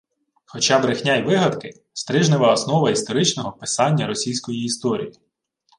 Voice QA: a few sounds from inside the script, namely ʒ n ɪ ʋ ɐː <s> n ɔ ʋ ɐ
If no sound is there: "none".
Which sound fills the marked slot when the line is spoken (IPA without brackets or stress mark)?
s